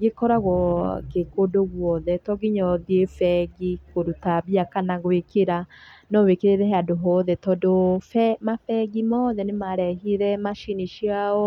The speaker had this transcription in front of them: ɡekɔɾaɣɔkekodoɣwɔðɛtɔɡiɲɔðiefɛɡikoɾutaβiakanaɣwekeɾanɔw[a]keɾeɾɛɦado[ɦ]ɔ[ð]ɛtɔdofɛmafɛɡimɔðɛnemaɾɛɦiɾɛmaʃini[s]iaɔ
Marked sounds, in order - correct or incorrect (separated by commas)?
incorrect, correct, correct, incorrect